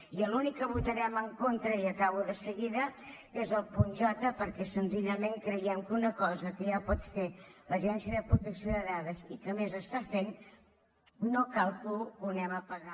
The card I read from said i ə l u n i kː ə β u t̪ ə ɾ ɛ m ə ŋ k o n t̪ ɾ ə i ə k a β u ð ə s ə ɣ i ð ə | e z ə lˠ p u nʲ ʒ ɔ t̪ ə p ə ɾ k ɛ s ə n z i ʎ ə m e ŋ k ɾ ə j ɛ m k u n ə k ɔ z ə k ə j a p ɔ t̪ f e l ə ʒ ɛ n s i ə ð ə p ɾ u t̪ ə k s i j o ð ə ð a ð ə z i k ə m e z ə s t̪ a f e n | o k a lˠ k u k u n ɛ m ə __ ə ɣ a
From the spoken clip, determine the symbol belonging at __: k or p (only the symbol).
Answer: p